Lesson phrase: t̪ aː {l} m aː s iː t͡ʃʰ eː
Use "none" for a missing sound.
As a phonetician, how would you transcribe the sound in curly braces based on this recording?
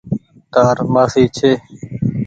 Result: ɾ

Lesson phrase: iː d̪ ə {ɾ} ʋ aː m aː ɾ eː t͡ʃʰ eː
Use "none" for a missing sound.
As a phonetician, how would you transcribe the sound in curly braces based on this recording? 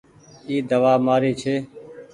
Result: none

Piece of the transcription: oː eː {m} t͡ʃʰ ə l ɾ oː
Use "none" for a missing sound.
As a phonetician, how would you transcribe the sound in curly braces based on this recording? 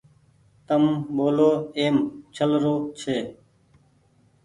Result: m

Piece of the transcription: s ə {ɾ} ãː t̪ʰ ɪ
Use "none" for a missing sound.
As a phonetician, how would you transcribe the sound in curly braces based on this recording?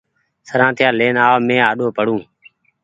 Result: ɾ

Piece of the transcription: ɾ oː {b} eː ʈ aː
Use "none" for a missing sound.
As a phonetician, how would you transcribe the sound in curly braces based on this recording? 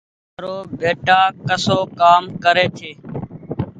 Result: b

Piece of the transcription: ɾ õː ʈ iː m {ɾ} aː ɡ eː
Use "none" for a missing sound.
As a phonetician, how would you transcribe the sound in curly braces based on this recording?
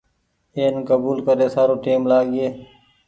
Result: l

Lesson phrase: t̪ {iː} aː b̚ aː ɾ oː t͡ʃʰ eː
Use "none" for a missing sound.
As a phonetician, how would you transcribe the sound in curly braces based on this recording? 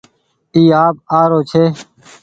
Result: iː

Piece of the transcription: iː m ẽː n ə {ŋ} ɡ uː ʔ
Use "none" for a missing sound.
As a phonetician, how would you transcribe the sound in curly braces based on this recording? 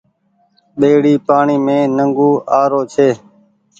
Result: ŋ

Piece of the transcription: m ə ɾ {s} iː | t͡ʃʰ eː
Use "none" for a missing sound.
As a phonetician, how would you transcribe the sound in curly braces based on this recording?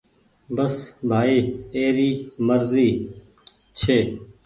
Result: z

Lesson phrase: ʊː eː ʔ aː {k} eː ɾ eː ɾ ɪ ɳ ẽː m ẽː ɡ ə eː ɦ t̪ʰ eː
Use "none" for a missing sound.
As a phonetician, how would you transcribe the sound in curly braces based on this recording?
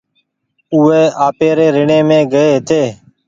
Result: p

